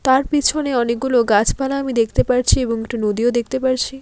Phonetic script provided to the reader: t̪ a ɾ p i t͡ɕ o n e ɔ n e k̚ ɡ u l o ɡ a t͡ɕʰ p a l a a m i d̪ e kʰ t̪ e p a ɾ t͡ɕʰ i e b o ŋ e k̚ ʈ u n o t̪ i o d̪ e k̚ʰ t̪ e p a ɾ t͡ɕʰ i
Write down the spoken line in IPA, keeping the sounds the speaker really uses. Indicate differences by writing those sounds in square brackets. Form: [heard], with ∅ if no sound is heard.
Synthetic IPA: t̪ a ɾ p i [t͡ɕʰ] o n e ɔ n e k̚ ɡ u l o ɡ a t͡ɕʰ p a l a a m i d̪ e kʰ t̪ e p a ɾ t͡ɕʰ i e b o ŋ e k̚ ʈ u n o [d̪] i o d̪ e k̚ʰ t̪ e p a ɾ t͡ɕʰ i

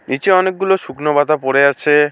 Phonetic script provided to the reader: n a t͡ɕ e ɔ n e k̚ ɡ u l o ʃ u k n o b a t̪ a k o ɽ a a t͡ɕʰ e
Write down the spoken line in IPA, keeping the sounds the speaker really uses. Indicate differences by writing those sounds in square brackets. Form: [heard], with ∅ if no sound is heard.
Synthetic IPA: n [i] t͡ɕ e ɔ n e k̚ ɡ u l o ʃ u k n o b a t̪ a [p] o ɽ [e] a t͡ɕʰ e

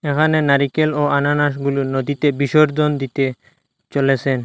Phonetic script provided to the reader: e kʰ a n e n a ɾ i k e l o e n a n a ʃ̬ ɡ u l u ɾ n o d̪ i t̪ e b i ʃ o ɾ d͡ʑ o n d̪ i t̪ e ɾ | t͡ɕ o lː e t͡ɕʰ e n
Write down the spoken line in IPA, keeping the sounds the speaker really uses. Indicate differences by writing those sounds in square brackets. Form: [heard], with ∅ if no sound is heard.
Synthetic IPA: e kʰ a n e n a ɾ i k e l o [a] n a n a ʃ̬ ɡ u l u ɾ n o d̪ i t̪ e b i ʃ o ɾ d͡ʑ o n d̪ i t̪ e [∅] | t͡ɕ o [l] e t͡ɕʰ e n

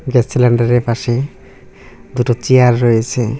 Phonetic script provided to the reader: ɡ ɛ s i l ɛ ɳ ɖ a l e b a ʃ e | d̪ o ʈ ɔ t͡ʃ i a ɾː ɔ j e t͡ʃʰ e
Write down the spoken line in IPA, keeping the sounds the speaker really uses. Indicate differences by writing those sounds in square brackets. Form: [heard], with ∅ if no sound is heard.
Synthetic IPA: ɡ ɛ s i l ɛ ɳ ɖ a [ɾ] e [p] a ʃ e | d̪ [u] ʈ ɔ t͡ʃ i a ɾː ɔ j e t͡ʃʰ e

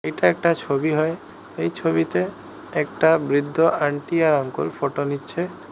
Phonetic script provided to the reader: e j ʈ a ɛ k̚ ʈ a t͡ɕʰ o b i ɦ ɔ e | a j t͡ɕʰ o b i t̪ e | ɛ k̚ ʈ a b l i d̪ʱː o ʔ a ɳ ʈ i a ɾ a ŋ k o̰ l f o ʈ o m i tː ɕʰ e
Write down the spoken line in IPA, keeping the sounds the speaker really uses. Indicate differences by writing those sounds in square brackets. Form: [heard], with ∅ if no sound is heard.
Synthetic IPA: e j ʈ a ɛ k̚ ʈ a t͡ɕʰ o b i ɦ ɔ e | [e] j t͡ɕʰ o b i t̪ e | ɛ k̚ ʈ a b [ɾ] i d̪ʱː o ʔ a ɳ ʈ i a ɾ a ŋ k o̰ l f o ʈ o [n] i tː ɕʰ e

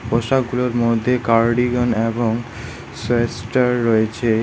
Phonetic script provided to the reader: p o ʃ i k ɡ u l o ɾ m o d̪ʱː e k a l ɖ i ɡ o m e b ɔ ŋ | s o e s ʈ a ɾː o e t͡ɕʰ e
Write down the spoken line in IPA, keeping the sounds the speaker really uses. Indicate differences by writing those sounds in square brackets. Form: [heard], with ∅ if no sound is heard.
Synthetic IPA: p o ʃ [a] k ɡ u l o ɾ m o d̪ʱː e k a [ɾ] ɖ i ɡ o [n] e b [o] ŋ | s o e s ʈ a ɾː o e t͡ɕʰ e

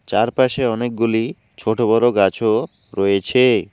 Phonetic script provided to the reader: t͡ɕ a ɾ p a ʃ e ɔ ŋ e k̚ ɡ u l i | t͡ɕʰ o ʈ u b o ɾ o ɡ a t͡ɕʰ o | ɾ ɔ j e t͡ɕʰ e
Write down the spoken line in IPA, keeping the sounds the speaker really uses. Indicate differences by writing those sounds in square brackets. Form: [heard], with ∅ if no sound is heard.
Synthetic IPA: t͡ɕ a ɾ p a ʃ e ɔ [n] e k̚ ɡ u l i | t͡ɕʰ o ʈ [o] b [ɔ] ɾ o ɡ a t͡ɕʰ o | ɾ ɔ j e t͡ɕʰ e

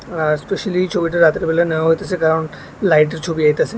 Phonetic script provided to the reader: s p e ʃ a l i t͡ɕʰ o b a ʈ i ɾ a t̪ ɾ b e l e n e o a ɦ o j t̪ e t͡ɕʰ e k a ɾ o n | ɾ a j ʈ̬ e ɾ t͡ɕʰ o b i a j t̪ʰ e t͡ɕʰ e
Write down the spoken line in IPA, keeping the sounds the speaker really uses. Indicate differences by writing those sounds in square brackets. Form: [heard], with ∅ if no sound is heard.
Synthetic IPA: s p e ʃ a l i t͡ɕʰ o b [i] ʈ [a] ɾ a t̪ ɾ b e l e n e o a ɦ o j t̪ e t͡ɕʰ e k a ɾ o n | [l] a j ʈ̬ e ɾ t͡ɕʰ o b i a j [t̪] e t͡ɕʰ e

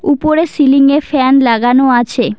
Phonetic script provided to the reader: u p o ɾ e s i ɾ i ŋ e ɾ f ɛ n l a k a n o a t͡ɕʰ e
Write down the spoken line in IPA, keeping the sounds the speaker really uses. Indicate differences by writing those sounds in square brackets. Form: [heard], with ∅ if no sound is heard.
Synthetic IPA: u p o ɾ e s i [l] i ŋ e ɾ f ɛ n l a [ɡ] a n o a t͡ɕʰ e

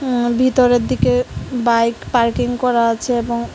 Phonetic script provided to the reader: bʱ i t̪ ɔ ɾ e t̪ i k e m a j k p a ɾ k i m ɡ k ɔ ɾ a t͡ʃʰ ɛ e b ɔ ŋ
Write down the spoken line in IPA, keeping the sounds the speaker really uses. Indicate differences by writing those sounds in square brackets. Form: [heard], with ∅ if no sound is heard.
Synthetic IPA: bʱ i t̪ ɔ ɾ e [d̪] i k e [b] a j k p a ɾ k i [ŋ] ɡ k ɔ ɾ a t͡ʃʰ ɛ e b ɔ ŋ

